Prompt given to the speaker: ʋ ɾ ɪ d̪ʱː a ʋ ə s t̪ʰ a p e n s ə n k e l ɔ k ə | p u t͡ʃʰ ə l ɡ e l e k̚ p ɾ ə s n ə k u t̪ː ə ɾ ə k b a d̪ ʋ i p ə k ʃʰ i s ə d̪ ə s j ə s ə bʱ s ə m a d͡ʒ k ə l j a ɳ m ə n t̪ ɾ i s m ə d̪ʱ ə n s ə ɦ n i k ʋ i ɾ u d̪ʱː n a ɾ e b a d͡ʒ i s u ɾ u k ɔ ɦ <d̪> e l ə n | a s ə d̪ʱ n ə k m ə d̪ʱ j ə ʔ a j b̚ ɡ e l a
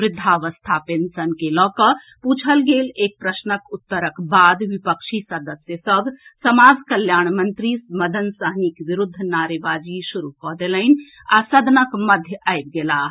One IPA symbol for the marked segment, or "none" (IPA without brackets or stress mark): d̪